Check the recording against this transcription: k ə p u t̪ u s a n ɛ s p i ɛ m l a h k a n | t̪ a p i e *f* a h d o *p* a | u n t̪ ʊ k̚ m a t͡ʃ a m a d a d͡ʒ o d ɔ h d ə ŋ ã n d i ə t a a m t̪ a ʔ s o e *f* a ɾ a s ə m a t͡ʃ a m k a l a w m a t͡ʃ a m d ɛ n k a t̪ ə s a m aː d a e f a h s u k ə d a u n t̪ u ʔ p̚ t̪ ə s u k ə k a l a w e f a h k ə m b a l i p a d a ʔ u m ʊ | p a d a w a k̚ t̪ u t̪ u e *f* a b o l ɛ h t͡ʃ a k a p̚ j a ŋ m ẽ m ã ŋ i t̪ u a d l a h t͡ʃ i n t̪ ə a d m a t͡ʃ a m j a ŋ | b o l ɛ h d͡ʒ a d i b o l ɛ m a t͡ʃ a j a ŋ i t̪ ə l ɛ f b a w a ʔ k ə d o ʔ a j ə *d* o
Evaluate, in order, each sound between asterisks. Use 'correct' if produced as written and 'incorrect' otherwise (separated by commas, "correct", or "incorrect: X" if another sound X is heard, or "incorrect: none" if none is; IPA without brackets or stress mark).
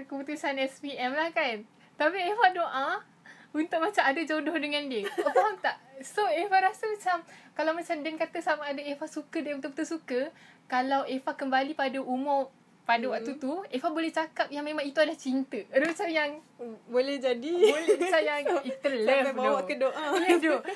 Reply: correct, incorrect: ʔ, correct, correct, correct